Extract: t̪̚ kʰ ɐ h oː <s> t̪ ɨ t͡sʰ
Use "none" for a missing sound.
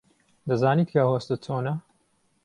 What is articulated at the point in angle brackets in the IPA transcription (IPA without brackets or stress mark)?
s